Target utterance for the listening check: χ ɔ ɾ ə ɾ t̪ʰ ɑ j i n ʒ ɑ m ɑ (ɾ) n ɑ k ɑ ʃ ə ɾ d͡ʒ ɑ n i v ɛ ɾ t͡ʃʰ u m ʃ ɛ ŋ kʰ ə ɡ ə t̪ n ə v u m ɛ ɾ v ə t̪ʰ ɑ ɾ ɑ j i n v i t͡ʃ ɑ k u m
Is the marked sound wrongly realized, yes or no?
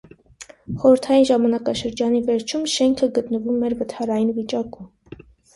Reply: yes